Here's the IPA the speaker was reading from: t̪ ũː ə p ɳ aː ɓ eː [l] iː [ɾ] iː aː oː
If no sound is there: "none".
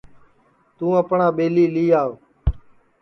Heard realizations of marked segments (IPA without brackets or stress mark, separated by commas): l, l